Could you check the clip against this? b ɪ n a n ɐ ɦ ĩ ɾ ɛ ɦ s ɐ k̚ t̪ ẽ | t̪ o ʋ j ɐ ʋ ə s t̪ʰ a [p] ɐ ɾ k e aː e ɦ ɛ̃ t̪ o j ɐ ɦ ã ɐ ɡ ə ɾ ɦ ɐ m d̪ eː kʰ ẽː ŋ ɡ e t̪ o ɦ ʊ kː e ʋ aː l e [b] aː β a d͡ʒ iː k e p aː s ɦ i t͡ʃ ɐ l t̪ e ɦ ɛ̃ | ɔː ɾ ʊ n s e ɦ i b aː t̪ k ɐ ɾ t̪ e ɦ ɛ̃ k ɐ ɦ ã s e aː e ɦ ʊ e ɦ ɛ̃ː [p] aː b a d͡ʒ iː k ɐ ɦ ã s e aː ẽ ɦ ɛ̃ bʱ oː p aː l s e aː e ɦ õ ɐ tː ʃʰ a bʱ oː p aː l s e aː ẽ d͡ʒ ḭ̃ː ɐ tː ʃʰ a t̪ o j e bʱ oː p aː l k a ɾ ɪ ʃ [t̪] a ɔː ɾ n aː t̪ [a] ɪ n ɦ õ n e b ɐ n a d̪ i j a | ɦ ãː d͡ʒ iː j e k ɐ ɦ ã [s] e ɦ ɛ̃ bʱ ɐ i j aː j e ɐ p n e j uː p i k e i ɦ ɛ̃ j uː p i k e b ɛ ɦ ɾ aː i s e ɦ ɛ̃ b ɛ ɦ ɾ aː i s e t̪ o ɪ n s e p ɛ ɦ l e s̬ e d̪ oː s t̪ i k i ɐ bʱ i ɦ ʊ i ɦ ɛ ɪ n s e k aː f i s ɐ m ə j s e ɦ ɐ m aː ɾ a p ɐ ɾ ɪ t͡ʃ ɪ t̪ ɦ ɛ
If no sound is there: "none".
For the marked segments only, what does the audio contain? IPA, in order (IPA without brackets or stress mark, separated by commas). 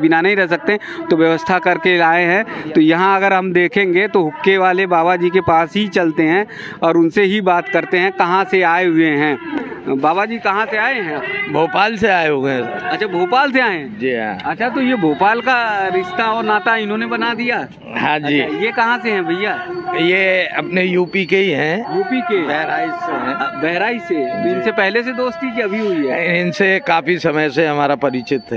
k, b, b, t̪, a, s